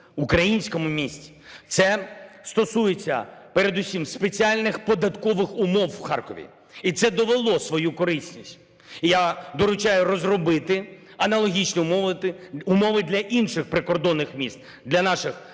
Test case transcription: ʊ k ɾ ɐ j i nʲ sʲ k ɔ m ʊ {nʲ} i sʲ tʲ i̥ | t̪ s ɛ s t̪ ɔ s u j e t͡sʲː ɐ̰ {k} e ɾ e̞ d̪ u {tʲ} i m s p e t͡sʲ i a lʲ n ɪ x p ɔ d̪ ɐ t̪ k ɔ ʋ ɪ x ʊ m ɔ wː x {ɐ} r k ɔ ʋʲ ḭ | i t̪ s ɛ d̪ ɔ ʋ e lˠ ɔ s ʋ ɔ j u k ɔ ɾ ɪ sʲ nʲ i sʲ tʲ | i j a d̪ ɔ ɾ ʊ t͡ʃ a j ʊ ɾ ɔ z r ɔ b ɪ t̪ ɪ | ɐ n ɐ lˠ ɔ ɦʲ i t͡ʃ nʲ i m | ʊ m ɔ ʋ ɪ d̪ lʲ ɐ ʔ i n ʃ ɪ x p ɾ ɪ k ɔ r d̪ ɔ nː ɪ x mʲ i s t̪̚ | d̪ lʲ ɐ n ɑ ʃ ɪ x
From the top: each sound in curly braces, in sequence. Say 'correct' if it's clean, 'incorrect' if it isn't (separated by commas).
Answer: incorrect, incorrect, incorrect, incorrect